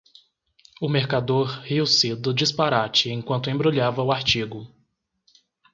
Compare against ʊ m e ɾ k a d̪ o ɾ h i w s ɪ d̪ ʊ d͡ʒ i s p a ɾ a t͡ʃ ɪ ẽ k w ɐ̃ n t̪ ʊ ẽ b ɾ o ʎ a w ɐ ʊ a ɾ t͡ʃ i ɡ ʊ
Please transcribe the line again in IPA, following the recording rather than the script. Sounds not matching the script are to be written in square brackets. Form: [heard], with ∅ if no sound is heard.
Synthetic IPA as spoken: ʊ m e ɾ k a d̪ o ɾ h i w s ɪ d̪ ʊ d͡ʒ i s p a ɾ a t͡ʃ ɪ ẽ k w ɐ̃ n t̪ ʊ ẽ b ɾ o ʎ a [v] ɐ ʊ a ɾ t͡ʃ i ɡ ʊ